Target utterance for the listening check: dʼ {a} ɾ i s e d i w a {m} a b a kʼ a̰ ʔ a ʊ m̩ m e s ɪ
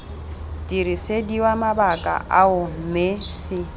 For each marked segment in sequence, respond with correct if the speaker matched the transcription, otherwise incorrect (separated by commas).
incorrect, correct